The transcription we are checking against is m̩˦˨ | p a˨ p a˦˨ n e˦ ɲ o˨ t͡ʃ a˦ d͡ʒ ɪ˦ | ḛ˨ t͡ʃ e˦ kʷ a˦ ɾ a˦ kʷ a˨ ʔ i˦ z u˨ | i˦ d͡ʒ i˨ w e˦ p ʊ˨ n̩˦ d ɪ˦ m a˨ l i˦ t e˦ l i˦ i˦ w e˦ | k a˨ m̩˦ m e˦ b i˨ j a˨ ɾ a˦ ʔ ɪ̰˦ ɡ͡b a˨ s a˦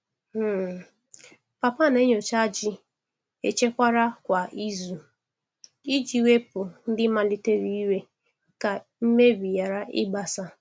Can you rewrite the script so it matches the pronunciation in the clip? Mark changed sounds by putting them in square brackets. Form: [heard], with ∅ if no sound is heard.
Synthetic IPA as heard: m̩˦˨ | p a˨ p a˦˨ n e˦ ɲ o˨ t͡ʃ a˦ d͡ʒ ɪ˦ | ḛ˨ t͡ʃ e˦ kʷ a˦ ɾ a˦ kʷ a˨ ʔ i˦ z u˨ | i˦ d͡ʒ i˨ w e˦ p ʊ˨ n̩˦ d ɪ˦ m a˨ l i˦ t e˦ [ɾ] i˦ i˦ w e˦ | k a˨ m̩˦ m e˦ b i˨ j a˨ ɾ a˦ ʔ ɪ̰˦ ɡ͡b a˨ s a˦